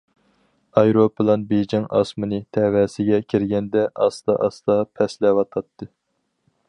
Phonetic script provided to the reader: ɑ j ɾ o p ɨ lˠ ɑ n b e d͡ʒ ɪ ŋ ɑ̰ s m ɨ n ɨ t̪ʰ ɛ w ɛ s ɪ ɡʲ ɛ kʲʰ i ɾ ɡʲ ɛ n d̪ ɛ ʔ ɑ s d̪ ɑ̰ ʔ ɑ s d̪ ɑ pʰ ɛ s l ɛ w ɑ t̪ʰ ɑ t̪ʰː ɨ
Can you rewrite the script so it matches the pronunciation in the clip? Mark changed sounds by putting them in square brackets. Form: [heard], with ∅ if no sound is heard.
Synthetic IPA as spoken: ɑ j ɾ o p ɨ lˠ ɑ n b e d͡ʒ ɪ ŋ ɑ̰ s m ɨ n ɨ t̪ʰ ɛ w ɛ s ɪ ɡʲ ɛ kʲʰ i ɾ ɡʲ ɛ n d̪ ɛ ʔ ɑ s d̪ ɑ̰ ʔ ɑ s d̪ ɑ pʰ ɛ s l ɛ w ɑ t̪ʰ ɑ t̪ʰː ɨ

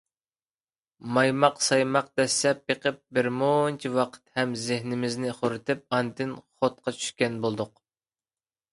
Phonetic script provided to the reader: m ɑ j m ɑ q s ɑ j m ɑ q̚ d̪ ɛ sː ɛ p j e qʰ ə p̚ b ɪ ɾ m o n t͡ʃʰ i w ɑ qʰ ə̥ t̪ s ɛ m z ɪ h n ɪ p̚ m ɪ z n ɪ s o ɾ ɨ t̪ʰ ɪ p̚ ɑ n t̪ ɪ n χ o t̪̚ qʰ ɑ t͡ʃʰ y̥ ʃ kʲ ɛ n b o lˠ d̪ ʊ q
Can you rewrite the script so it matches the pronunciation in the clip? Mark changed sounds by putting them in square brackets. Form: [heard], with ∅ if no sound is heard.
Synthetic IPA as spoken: m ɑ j m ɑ q s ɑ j m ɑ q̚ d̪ ɛ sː ɛ p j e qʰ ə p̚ b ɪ ɾ m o n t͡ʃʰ i w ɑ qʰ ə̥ t̪ [h] ɛ m z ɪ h n ɪ [∅] m ɪ z n ɪ [χ] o ɾ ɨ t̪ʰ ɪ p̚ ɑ n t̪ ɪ n χ o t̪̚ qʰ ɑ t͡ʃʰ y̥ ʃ kʲ ɛ n b o lˠ d̪ ʊ q

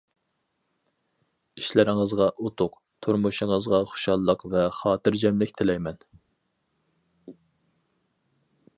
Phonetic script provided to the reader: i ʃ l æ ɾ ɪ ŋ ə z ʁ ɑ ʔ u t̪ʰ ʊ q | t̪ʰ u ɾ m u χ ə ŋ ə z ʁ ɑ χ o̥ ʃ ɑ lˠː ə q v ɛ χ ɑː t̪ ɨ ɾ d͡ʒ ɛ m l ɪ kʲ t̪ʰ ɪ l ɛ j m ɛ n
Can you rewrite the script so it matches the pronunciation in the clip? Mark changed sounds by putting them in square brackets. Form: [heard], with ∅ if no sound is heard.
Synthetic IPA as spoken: i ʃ l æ ɾ ɪ ŋ ə z ʁ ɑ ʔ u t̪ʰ ʊ q | t̪ʰ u ɾ m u [ʃ] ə ŋ ə z ʁ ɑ χ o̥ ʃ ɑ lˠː ə q v ɛ χ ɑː t̪ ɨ ɾ d͡ʒ ɛ m l ɪ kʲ t̪ʰ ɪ l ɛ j m ɛ n

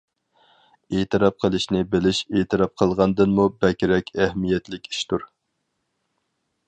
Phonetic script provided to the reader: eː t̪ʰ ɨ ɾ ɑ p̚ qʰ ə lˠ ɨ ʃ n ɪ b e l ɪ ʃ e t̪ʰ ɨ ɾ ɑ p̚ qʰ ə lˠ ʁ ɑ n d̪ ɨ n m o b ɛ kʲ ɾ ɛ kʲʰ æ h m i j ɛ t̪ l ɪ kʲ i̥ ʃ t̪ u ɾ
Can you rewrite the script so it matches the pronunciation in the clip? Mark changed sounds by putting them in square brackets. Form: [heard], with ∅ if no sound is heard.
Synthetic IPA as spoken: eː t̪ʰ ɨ ɾ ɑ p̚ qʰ ə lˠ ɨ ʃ n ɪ b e l ɪ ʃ e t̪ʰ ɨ ɾ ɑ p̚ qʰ ə lˠ ʁ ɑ n d̪ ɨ n m [u] b ɛ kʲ ɾ ɛ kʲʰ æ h m i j ɛ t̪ l ɪ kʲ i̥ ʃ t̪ u ɾ

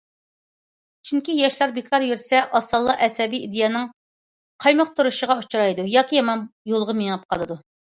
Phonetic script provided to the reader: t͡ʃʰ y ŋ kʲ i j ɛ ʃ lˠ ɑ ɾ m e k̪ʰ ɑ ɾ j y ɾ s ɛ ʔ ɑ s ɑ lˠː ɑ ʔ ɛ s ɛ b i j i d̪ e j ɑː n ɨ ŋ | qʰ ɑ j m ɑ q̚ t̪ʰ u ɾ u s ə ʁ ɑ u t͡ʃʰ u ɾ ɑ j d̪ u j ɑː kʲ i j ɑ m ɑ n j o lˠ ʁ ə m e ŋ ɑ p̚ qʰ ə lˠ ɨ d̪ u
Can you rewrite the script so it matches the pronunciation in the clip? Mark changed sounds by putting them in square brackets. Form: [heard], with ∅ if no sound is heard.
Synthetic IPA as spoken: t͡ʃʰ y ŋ kʲ i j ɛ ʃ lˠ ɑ ɾ [b] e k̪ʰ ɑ ɾ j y ɾ s ɛ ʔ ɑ s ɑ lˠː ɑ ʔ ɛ s ɛ b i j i d̪ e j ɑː n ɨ ŋ | qʰ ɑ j m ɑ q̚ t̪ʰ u ɾ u [ʃ] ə ʁ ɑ u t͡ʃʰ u ɾ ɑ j d̪ u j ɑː kʲ i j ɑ m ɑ n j o lˠ ʁ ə m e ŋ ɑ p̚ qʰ [ɑ] lˠ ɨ d̪ u

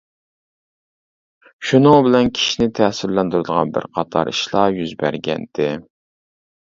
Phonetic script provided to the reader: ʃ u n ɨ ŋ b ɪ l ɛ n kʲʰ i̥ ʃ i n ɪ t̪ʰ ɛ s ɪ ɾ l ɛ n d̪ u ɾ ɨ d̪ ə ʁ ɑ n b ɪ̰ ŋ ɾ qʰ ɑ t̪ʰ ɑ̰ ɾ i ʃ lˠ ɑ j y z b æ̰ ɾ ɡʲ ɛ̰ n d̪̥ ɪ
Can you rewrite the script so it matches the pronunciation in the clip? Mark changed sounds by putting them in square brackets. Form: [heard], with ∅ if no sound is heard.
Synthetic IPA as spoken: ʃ u n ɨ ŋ b ɪ l ɛ n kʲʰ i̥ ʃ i n ɪ t̪ʰ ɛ s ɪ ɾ l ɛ n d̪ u ɾ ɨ d̪ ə ʁ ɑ n b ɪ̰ [∅] ɾ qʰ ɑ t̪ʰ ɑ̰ ɾ i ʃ lˠ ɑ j y z b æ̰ ɾ ɡʲ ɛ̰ n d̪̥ ɪ

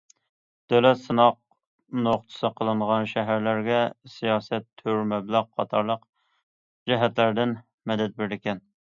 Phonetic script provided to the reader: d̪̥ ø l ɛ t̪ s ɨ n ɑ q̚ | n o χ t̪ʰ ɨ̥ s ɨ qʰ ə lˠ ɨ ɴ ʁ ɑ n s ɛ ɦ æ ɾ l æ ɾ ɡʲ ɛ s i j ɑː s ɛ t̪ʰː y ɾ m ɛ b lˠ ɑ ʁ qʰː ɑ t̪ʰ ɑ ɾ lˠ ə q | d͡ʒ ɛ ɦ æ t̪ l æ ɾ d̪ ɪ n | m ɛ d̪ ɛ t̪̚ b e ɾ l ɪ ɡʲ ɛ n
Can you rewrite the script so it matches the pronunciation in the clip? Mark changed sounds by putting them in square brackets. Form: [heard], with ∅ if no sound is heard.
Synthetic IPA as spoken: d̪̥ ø l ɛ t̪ s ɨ n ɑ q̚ | n o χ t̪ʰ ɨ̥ s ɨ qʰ ə lˠ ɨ ɴ ʁ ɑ n [ʃ] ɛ ɦ æ ɾ l æ ɾ ɡʲ ɛ s i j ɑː s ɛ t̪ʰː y ɾ m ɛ b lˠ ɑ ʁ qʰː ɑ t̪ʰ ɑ ɾ lˠ ə q | d͡ʒ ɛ ɦ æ t̪ l æ ɾ d̪ ɪ n | m ɛ d̪ ɛ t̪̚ b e ɾ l ɪ [kʲ] ɛ n

